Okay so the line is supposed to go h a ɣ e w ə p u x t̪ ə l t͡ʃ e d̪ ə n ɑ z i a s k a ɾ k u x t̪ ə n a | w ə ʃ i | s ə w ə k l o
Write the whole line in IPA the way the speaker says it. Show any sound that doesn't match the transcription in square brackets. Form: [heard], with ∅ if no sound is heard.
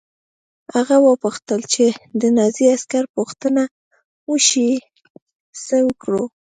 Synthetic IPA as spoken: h a ɣ [a] w ə p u x t̪ ə l t͡ʃ e d̪ ə n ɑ z i a s k a ɾ [p] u x t̪ ə n a | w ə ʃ i | s ə w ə k [ɽ] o